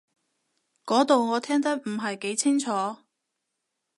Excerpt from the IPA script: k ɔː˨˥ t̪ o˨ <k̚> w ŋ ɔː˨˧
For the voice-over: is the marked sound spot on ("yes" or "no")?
no